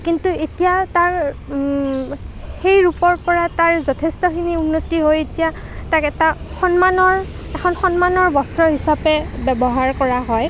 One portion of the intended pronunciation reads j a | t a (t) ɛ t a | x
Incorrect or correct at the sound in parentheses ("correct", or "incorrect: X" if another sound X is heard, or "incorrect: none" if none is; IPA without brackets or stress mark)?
incorrect: k